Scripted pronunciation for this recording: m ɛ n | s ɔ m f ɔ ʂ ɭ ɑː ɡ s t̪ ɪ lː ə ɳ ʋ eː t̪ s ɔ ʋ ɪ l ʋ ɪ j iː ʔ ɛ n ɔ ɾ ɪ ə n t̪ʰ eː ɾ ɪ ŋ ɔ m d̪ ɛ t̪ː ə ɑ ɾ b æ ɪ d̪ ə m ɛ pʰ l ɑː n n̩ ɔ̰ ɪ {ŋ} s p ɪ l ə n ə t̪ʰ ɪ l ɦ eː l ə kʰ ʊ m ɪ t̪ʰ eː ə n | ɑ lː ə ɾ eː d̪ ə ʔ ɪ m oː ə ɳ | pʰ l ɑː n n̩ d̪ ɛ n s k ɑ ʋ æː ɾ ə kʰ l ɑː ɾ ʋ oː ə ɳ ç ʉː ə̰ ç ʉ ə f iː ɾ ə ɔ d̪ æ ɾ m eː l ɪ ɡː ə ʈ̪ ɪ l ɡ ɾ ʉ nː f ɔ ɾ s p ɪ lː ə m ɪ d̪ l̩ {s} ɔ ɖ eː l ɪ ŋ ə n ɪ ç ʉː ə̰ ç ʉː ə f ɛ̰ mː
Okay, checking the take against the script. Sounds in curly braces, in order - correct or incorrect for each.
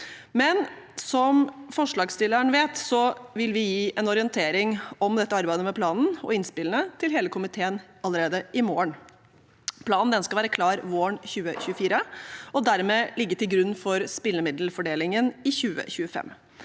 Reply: incorrect, incorrect

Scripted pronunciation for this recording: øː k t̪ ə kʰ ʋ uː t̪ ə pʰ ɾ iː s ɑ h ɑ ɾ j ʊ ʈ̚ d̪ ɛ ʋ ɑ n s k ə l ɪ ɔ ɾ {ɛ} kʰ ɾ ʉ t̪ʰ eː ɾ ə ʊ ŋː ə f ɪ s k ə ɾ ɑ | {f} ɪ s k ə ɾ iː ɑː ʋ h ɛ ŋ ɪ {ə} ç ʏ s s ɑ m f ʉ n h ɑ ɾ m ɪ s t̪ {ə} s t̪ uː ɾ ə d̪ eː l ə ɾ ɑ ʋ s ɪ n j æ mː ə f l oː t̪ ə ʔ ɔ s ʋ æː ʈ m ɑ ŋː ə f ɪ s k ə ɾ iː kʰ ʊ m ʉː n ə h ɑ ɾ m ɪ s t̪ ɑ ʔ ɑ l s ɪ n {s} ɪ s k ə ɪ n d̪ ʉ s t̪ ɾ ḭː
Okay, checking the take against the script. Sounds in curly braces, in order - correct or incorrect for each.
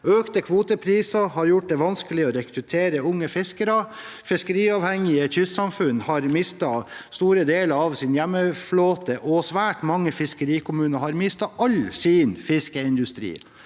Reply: correct, correct, correct, incorrect, incorrect

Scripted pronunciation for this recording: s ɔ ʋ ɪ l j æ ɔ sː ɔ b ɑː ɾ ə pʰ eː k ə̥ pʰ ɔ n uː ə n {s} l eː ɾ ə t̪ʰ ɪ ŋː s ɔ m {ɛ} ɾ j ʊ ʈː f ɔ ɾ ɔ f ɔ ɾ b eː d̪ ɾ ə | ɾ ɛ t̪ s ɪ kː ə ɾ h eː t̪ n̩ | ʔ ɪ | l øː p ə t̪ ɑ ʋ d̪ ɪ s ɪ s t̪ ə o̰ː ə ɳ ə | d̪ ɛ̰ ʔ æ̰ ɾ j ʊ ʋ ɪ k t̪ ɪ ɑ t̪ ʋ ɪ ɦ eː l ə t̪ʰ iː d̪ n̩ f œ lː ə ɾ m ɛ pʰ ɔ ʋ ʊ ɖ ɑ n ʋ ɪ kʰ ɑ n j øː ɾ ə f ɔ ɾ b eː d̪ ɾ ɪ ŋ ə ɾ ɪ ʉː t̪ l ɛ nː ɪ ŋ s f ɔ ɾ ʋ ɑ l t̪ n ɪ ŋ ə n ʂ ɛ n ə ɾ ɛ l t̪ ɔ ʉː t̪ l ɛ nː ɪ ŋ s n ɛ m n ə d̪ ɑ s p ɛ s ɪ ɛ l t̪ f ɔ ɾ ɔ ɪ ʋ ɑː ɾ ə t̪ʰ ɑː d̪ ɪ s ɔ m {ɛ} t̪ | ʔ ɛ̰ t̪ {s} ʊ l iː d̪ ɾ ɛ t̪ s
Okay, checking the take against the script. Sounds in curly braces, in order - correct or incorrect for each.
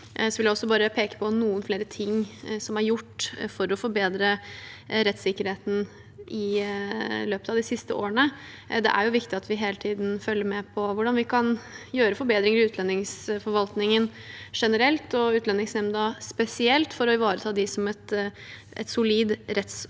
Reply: incorrect, incorrect, correct, correct

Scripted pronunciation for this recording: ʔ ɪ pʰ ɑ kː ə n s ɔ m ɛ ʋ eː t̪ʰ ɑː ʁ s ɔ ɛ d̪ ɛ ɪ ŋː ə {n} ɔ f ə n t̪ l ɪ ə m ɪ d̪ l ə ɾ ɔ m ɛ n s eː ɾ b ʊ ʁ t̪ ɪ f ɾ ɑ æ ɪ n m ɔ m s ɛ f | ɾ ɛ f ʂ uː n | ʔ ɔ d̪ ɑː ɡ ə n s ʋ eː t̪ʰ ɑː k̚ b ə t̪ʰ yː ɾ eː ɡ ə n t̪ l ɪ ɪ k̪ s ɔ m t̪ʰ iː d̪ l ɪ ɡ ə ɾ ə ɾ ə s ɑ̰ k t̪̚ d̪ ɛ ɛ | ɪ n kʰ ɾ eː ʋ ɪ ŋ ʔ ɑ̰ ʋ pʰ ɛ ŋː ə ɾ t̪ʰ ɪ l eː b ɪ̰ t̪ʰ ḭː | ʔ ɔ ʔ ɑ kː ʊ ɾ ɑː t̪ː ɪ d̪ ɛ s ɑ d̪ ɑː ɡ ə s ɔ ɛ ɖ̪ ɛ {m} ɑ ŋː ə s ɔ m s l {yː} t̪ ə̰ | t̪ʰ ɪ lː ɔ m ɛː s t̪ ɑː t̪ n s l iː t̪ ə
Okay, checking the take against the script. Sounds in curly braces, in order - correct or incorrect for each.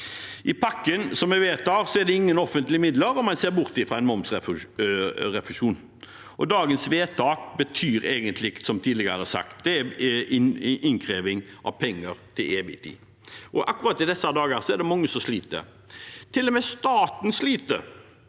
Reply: correct, correct, incorrect

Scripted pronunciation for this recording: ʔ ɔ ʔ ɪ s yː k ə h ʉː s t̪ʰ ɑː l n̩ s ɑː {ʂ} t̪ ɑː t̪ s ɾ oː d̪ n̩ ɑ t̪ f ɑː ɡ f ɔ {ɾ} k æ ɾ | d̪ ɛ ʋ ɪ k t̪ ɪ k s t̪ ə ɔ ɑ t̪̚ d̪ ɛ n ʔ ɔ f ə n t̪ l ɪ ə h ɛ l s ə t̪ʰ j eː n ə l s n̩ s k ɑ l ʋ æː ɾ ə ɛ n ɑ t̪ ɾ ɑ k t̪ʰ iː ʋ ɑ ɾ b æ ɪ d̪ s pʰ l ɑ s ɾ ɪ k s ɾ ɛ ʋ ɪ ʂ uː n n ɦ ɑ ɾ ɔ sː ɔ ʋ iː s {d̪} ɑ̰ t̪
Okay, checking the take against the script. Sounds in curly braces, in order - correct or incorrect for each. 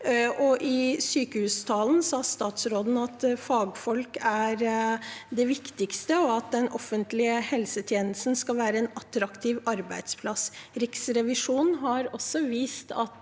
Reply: incorrect, incorrect, incorrect

